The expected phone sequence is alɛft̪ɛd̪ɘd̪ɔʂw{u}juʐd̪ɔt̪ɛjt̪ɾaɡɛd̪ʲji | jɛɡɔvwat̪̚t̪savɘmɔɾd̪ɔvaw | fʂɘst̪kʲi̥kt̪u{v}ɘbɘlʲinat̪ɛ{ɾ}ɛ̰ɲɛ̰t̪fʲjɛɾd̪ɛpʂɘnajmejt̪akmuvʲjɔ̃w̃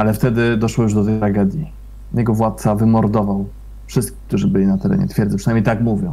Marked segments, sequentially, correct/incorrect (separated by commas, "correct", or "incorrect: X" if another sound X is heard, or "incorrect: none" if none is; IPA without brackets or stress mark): incorrect: ɔ, incorrect: ʐ, correct